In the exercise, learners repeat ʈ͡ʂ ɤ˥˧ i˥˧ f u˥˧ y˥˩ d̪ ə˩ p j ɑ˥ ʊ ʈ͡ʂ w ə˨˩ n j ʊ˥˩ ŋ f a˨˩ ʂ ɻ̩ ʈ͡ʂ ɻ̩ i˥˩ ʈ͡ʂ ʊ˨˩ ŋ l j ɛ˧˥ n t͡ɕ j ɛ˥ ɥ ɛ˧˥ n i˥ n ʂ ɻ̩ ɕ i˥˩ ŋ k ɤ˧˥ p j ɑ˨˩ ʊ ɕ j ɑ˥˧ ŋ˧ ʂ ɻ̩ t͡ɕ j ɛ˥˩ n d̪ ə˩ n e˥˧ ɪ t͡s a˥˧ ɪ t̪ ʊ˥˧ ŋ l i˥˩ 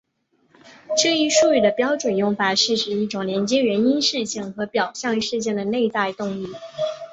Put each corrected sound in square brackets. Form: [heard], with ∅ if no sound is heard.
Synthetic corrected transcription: ʈ͡ʂ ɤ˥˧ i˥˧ [ʂ] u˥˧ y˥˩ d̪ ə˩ p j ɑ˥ ʊ ʈ͡ʂ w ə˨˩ n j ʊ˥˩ ŋ f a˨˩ ʂ ɻ̩ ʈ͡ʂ ɻ̩ i˥˩ ʈ͡ʂ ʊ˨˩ ŋ l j ɛ˧˥ n t͡ɕ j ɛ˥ ɥ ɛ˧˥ n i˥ n ʂ ɻ̩ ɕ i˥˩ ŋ [x] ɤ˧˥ p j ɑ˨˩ ʊ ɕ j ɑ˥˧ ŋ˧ ʂ ɻ̩ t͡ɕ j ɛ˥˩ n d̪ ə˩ n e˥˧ ɪ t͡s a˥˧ ɪ t̪ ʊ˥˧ ŋ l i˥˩